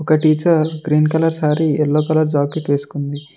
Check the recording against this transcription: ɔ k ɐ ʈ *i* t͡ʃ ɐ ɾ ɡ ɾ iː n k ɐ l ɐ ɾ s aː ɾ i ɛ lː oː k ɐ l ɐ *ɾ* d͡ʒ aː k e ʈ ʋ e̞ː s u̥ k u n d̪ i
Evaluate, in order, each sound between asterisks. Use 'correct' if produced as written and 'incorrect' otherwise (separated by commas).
incorrect, correct